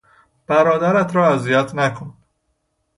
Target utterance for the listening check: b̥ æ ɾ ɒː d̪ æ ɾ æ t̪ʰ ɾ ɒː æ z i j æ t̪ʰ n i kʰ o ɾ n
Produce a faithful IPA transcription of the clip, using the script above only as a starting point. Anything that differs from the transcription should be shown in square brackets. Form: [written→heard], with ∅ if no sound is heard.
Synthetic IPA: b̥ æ ɾ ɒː d̪ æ ɾ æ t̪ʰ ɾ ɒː æ z i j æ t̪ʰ n [i→æ] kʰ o [ɾ→∅] n